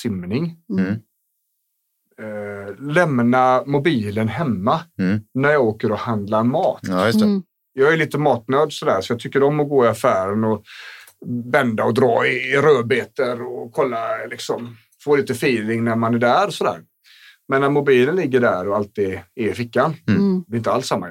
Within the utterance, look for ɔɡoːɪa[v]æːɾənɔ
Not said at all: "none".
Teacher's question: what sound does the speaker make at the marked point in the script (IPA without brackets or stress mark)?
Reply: f